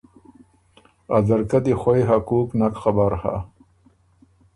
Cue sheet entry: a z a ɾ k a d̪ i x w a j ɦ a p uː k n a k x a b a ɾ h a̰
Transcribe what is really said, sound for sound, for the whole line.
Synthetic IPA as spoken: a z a ɾ k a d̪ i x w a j ɦ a k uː k n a k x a b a ɾ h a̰